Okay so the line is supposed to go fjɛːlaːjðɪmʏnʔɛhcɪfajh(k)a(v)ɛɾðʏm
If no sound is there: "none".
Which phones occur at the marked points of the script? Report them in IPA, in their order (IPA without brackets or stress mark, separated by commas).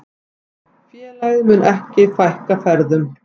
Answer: k, f